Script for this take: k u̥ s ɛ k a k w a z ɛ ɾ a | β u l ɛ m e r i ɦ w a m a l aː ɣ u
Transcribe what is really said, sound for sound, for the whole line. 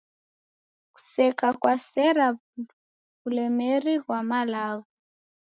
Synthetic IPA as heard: k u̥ s ɛ k a k w a s ɛ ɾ a | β u l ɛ m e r i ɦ w a m a l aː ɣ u